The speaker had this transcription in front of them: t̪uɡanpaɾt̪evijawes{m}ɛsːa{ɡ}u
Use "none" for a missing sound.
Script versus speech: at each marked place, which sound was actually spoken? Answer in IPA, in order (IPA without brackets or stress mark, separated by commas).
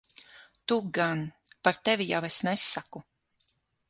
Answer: n, k